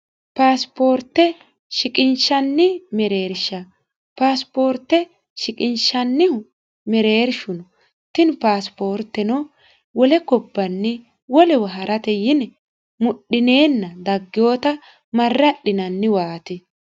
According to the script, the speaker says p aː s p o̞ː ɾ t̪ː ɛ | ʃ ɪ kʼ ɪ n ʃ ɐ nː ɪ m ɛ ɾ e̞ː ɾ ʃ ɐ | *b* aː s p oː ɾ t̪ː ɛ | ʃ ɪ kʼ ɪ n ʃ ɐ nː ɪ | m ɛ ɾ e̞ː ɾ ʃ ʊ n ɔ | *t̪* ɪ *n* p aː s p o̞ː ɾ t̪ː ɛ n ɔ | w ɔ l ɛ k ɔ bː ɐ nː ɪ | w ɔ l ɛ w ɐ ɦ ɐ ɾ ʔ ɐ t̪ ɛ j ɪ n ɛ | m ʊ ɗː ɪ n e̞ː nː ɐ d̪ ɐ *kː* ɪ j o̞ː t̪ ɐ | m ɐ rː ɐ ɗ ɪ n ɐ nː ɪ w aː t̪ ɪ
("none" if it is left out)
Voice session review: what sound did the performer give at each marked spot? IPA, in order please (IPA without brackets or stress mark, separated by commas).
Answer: p, t̪, n, ɡː